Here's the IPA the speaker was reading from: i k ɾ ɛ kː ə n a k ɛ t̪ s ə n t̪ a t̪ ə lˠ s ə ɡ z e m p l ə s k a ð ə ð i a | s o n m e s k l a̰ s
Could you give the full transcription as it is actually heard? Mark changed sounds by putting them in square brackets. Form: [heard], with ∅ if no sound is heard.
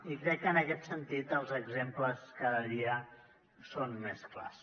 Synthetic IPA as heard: i k ɾ ɛ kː ə n [ə] k ɛ t̪ s ə n t̪ [i] t̪ ə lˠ [z] ə ɡ z e m p l ə s k a ð ə ð i [ə] | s o n m e s k l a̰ s